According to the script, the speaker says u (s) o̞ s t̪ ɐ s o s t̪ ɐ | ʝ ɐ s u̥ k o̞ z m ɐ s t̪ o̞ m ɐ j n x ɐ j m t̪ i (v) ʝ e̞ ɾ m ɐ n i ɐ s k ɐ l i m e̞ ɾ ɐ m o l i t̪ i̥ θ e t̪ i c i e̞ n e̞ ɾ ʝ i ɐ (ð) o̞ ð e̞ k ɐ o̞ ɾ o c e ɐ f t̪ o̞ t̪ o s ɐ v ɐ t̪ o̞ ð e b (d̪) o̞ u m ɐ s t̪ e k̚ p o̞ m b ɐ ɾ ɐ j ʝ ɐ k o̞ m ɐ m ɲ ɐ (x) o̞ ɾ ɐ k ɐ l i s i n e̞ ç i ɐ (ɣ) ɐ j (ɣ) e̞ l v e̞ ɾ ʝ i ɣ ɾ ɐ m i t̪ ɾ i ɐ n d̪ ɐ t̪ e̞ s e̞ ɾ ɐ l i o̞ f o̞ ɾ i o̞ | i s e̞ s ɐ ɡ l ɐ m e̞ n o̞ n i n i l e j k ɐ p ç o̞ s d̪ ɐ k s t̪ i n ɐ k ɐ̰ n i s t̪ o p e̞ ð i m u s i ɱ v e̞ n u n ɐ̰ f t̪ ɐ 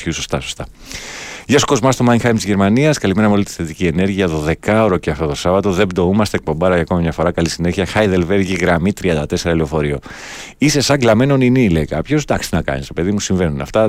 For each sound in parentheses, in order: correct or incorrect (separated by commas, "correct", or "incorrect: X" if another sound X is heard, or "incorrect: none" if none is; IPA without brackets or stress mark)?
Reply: correct, incorrect: z, correct, correct, incorrect: f, incorrect: x, incorrect: ð